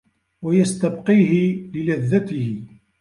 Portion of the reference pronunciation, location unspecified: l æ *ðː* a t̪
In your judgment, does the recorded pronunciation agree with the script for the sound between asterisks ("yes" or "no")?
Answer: yes